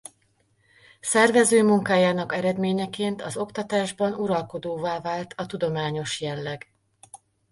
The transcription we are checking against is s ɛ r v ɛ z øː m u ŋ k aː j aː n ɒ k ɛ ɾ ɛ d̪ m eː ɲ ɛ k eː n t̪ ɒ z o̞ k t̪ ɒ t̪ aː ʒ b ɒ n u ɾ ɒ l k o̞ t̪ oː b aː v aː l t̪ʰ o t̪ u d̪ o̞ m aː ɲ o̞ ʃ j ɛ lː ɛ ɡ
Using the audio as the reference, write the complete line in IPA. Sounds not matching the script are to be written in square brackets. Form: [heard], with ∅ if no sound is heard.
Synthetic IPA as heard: s ɛ r v ɛ z øː m u ŋ k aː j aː n ɒ k ɛ ɾ ɛ d̪ m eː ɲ ɛ k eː n t̪ ɒ z o̞ k t̪ ɒ t̪ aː ʒ b ɒ n u ɾ ɒ l k o̞ [d̪] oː [v] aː v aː l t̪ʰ [ɒ] t̪ u d̪ o̞ m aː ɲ o̞ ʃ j ɛ lː ɛ ɡ